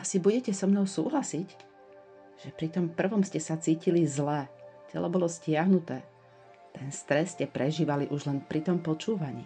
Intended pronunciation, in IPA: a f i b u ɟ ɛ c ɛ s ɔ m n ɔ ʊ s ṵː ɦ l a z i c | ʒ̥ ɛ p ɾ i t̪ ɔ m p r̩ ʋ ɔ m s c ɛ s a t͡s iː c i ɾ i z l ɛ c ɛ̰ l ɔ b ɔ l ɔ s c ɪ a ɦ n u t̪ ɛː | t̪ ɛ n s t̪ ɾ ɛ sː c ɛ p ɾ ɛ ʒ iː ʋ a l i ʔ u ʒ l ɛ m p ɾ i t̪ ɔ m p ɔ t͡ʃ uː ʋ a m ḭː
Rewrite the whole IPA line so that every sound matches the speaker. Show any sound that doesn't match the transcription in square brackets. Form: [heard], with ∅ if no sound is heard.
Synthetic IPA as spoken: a [s] i b u ɟ ɛ c ɛ s ɔ m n ɔ ʊ s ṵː ɦ l a [s] i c | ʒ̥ ɛ p ɾ i t̪ ɔ m p r̩ ʋ ɔ m s c ɛ s a t͡s iː c i [l] i z l ɛ c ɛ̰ l ɔ b ɔ l ɔ s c ɪ a ɦ n u t̪ ɛː | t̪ ɛ n s t̪ ɾ ɛ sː c ɛ p ɾ ɛ ʒ iː ʋ a l i ʔ u ʒ l ɛ [n] p ɾ i t̪ ɔ m p ɔ t͡ʃ uː ʋ a [ɲ] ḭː